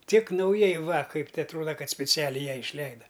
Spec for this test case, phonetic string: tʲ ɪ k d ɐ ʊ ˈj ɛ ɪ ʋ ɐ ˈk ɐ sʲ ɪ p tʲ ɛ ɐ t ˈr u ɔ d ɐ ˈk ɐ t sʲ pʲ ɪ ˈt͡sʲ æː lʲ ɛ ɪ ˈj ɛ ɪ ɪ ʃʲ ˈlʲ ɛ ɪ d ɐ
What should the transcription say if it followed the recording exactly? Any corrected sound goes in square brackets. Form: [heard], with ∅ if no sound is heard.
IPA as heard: tʲ ɪ k [n] ɐ ʊ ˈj ɛ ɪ ʋ ɐ ˈk ɐ [∅] ɪ p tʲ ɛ ɐ t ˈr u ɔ d ɐ ˈk ɐ t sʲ pʲ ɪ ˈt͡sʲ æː lʲ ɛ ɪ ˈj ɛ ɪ ɪ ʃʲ ˈlʲ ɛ ɪ d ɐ